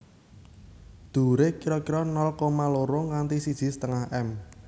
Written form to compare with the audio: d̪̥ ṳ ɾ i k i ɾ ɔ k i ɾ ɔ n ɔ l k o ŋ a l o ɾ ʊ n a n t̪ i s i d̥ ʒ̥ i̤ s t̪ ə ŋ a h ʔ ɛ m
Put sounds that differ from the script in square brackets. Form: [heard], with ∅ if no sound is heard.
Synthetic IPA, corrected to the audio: d̪̥ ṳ ɾ [e] k i ɾ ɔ k i ɾ ɔ n ɔ l k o [m] a l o ɾ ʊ [ŋ] a n t̪ i s i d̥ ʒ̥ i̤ s t̪ ə ŋ a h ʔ ɛ m